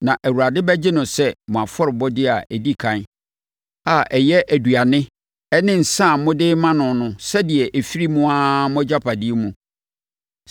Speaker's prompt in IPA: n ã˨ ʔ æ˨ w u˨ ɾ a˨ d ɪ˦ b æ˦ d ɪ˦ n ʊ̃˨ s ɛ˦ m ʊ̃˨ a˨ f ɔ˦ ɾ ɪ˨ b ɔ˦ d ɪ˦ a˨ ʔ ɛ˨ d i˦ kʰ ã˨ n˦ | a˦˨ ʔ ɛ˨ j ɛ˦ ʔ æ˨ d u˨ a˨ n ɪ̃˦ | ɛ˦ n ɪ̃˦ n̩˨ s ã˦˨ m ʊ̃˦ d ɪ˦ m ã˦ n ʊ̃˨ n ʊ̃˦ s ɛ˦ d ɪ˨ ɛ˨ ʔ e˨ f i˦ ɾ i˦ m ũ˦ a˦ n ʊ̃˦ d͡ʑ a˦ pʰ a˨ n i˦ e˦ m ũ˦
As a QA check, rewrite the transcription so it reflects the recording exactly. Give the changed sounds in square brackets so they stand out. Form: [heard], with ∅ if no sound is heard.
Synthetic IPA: n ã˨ ʔ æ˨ w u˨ ɾ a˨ d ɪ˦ b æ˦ [d͡ʑ] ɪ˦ n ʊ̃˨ s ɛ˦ m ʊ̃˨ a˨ f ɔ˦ ɾ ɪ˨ b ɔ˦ d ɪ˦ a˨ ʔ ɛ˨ d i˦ kʰ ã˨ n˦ | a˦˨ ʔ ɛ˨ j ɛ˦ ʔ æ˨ d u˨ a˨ n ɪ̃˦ | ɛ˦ n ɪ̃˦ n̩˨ s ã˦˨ m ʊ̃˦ d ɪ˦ m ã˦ n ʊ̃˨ n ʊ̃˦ s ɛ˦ d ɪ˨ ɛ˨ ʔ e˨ f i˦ ɾ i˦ m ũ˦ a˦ [m] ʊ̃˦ d͡ʑ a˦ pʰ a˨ [d] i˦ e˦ m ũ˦